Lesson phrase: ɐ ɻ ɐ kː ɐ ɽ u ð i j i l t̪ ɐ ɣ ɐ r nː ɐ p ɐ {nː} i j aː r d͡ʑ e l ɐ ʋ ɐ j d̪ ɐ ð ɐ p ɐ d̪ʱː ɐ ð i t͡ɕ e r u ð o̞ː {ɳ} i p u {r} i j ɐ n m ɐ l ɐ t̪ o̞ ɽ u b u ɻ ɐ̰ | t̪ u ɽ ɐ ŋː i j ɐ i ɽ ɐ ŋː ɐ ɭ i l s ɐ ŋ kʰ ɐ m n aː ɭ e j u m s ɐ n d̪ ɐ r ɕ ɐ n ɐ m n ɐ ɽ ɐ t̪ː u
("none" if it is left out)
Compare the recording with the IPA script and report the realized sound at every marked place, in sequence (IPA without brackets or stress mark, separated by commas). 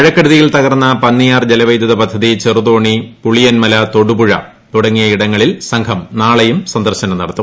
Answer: nː, ɳ, ɭ